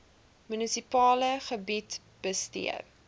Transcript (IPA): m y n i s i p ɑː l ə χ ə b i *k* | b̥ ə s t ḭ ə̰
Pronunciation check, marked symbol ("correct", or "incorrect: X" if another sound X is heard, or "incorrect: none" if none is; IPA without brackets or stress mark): incorrect: t